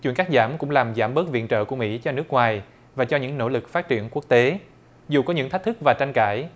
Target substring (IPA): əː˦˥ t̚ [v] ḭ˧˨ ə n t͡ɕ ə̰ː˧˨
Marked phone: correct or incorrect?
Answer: correct